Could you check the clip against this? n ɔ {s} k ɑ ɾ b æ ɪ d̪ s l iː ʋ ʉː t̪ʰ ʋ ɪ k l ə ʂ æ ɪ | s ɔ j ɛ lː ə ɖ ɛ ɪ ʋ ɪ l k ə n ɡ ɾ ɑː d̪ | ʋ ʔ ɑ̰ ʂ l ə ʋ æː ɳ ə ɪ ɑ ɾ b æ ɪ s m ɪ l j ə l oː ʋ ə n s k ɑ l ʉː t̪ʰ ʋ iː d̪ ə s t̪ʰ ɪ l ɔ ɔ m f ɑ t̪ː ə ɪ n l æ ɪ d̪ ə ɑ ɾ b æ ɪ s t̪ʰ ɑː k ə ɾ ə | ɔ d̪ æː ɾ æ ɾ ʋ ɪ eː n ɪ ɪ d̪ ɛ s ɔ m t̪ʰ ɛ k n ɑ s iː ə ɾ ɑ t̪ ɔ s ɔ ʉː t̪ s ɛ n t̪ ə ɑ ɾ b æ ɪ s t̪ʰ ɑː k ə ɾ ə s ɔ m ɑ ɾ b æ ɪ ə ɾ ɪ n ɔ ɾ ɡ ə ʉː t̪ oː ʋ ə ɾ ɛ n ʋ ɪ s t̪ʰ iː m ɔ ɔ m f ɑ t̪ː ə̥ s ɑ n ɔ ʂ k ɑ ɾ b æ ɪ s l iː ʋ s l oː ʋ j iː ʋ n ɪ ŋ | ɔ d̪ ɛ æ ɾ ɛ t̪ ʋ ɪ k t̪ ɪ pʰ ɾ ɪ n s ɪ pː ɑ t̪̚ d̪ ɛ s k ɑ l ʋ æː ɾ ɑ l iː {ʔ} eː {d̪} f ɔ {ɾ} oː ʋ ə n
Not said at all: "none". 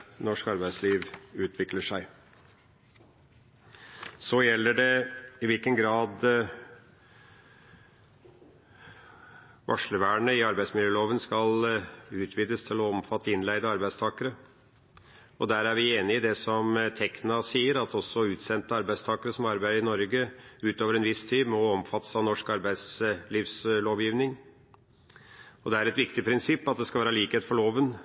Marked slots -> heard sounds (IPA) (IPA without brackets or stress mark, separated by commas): ʂ, k, t̪, ɭ